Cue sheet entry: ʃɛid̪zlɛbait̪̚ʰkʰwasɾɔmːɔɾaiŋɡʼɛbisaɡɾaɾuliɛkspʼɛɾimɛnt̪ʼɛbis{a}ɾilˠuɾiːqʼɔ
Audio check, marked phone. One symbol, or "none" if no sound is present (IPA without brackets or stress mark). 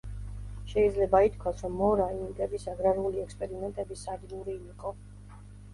a